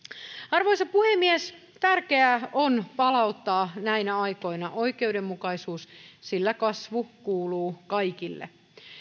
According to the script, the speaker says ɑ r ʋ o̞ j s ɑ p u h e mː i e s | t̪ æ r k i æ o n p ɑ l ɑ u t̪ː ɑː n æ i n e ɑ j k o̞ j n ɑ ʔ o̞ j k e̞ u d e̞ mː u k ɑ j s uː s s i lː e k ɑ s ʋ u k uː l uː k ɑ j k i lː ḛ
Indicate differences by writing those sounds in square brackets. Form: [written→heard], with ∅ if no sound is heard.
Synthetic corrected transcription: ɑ r ʋ o̞ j s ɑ p u h e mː i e s | t̪ æ r k [i→e] æ o n p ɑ l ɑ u t̪ː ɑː n æ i n [e→æ] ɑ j k o̞ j n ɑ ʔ o̞ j k e̞ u d e̞ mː u k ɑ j s uː s s i lː [e→æ] k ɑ s ʋ u k uː l uː k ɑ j k i lː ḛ